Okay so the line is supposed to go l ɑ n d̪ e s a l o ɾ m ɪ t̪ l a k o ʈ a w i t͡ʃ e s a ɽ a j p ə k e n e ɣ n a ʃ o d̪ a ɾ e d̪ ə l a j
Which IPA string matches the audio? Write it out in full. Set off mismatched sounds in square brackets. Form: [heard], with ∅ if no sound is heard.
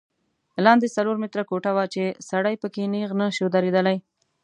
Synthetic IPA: l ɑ n d̪ e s a l o ɾ m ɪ t̪ [ɾ] a k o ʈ a w [a] t͡ʃ e s a ɽ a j p ə k e n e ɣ n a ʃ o d̪ a ɾ e d̪ ə l a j